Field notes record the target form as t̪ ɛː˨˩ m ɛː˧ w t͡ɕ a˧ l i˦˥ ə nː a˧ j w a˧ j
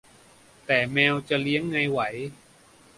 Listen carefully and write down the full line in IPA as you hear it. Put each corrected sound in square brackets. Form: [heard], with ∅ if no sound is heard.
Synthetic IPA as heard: t̪ ɛː˨˩ m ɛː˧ w t͡ɕ [a˨˩] l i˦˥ ə [ŋː] a˧ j w [a˩˦] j